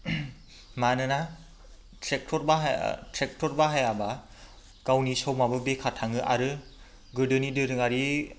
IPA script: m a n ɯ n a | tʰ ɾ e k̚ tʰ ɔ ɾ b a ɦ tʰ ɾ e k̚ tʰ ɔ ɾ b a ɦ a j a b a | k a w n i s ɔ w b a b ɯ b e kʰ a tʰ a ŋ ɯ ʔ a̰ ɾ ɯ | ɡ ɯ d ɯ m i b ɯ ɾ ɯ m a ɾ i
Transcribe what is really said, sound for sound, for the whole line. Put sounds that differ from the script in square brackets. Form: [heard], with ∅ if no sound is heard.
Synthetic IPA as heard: m a n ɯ n a | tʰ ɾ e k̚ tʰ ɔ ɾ b a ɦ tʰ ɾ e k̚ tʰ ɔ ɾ b a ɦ a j a b a | k a w n i s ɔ w [m] a b ɯ b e kʰ a tʰ a ŋ ɯ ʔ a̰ ɾ ɯ | ɡ ɯ d ɯ [n] i [d] ɯ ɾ ɯ [ŋ] a ɾ i